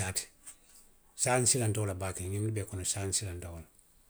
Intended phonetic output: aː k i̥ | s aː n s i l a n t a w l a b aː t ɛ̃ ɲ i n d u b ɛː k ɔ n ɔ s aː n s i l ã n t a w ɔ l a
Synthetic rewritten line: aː t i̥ | s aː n s i l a n t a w l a b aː k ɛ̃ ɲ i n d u b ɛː k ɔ n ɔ s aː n s i l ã n t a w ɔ l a